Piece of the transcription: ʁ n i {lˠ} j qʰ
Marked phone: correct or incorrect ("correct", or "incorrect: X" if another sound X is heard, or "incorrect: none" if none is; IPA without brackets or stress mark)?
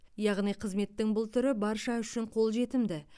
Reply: incorrect: none